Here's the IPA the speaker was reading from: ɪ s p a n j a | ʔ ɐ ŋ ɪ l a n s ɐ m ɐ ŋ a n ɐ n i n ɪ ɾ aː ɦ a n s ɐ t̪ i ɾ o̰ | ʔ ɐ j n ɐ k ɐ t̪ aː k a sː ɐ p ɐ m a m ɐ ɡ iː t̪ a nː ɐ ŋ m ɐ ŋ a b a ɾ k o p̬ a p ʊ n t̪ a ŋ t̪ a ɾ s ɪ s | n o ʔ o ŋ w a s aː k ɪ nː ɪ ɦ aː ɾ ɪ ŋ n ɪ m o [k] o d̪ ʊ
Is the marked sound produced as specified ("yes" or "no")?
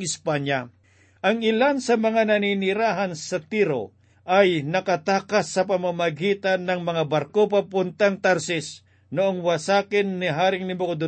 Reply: yes